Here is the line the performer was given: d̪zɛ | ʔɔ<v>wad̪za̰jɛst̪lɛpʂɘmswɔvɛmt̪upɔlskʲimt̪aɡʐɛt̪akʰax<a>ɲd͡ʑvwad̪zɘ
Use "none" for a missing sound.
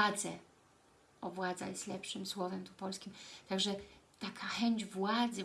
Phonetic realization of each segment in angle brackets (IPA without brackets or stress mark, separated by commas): v, ɛ